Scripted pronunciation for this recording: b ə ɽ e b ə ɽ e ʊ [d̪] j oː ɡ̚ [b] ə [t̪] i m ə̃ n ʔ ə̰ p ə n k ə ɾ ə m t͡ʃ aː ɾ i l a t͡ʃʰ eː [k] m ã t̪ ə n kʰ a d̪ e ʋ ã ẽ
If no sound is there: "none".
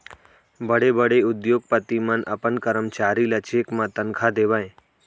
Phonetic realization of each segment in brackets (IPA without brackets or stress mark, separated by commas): d̪, p, t̪, k